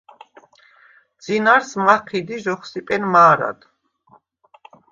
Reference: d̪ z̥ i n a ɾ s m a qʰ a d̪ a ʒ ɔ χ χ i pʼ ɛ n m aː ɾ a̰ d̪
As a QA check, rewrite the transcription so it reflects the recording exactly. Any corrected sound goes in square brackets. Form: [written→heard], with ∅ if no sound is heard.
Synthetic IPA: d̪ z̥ i n a ɾ s m a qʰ [a→i] d̪ [a→i] ʒ ɔ χ [χ→s] i pʼ ɛ n m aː ɾ a̰ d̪